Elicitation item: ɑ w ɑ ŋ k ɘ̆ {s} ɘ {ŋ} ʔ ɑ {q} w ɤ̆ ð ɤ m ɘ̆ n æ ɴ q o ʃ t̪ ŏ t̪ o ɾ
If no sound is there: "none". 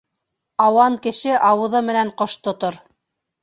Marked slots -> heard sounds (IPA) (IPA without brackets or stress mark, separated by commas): ʃ, none, none